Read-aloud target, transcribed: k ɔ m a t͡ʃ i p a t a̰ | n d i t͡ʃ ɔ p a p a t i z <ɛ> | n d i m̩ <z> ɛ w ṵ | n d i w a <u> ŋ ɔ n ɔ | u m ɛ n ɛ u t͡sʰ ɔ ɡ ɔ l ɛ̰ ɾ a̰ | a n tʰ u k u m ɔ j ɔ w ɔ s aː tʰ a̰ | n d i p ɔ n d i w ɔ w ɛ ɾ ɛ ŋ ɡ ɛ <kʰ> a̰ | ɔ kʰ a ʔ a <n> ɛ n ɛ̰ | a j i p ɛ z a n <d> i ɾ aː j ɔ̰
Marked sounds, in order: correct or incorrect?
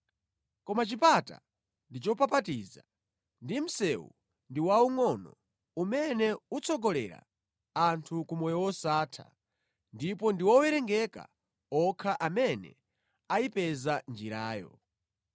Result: incorrect, incorrect, correct, incorrect, incorrect, incorrect

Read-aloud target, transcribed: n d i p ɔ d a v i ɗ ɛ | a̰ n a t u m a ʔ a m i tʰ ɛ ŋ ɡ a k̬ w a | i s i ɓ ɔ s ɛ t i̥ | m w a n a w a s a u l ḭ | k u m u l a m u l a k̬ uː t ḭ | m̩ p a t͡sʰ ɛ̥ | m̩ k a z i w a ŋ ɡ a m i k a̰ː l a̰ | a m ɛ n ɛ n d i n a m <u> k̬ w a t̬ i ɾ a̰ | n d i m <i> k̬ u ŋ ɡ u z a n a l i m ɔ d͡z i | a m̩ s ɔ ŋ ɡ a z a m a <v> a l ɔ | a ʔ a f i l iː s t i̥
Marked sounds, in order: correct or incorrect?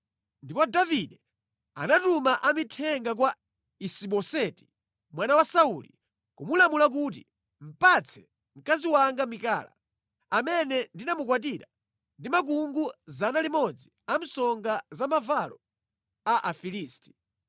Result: correct, incorrect, correct

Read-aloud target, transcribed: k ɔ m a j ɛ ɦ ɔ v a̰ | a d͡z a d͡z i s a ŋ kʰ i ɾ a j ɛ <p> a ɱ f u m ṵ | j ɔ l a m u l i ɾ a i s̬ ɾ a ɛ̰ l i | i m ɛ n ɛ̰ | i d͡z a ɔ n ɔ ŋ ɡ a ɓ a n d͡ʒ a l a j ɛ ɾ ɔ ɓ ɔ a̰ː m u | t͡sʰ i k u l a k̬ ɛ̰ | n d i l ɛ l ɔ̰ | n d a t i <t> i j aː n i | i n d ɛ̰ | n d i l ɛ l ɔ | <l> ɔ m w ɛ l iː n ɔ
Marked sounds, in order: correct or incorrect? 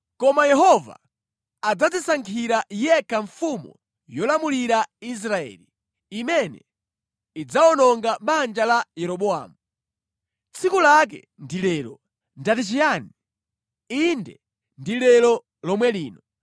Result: incorrect, incorrect, correct

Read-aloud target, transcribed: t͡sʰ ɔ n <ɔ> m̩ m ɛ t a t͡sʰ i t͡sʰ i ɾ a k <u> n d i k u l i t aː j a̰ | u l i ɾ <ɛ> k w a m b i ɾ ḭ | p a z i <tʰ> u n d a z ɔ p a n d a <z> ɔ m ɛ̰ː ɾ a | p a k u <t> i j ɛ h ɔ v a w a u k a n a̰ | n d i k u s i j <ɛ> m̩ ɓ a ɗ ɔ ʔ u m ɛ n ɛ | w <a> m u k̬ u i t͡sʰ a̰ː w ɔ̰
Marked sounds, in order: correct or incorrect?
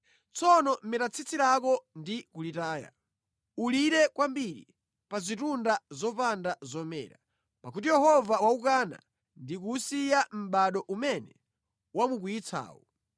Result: correct, incorrect, correct, incorrect, correct, correct, incorrect, correct

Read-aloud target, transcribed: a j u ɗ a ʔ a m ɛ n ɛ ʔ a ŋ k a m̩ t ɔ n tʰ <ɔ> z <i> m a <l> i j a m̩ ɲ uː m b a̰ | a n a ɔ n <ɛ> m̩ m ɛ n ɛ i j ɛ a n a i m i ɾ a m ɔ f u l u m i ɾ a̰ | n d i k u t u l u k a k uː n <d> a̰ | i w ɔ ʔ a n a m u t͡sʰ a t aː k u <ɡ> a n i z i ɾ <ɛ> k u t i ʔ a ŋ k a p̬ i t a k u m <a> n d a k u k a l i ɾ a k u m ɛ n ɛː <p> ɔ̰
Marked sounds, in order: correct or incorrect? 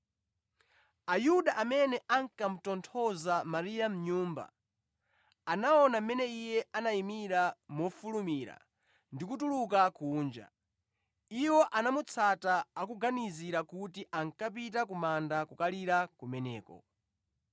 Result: correct, incorrect, incorrect, incorrect, incorrect, correct, incorrect, correct, incorrect

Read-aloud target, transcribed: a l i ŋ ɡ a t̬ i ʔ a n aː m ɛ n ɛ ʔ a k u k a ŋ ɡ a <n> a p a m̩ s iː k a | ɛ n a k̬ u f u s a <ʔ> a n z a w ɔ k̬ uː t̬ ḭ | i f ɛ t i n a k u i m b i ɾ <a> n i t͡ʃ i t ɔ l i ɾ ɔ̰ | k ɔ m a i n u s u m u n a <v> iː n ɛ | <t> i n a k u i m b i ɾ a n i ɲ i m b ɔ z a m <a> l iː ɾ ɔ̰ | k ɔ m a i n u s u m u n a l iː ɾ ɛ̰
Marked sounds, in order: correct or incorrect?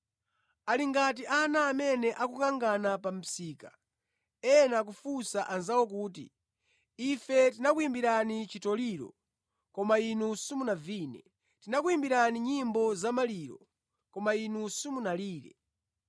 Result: correct, correct, correct, correct, correct, correct

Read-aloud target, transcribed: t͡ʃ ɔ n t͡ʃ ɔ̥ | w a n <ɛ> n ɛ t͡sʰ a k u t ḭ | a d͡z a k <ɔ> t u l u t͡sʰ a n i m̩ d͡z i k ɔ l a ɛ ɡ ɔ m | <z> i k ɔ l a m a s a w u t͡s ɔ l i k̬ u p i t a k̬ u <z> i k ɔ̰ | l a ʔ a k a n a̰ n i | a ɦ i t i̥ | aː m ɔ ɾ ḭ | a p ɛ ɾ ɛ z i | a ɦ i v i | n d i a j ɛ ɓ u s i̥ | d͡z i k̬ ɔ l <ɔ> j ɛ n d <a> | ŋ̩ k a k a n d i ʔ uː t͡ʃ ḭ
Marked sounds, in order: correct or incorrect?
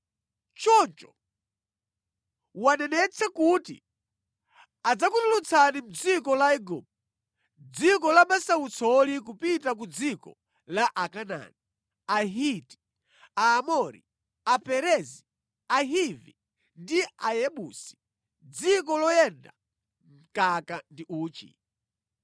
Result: correct, incorrect, incorrect, incorrect, correct, correct

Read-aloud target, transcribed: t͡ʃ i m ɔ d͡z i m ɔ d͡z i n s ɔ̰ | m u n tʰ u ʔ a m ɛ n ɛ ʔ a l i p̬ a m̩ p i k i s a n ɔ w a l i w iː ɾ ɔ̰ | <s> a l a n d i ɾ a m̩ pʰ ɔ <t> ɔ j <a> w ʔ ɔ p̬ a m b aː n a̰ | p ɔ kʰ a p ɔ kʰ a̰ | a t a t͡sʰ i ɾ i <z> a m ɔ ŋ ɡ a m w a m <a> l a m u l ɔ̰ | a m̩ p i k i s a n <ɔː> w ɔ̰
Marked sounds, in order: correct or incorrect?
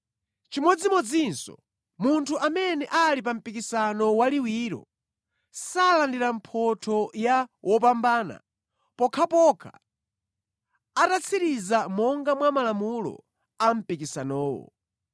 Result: correct, incorrect, correct, correct, correct, correct

